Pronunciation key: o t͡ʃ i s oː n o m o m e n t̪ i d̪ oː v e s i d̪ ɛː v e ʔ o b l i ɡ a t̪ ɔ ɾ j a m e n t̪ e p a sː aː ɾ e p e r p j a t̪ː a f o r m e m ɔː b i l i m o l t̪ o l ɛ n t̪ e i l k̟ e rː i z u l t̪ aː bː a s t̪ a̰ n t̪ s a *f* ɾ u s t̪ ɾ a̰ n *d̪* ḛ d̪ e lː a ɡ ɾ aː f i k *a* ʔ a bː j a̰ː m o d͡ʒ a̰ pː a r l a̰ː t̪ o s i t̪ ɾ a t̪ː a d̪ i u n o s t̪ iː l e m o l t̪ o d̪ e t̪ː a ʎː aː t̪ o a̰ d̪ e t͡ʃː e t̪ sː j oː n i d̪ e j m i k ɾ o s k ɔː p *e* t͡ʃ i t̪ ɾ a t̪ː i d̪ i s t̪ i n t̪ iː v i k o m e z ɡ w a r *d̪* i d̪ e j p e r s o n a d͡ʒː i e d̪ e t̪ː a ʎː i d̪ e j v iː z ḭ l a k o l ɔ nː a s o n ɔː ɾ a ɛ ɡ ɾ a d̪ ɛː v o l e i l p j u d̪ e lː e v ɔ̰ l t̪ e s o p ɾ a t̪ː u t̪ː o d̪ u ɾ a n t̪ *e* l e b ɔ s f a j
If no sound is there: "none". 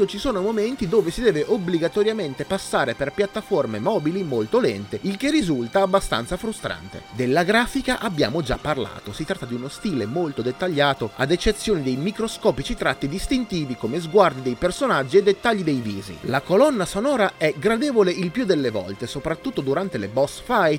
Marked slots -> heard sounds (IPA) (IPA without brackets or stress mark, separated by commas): f, t̪, a, i, d̪, e